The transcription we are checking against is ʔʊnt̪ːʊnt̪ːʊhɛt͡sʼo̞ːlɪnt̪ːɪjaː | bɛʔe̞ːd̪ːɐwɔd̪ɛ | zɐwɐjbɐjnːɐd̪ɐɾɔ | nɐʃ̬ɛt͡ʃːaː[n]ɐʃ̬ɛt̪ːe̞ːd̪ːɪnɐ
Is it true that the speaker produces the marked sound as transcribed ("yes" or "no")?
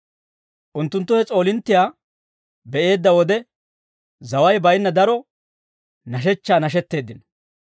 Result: yes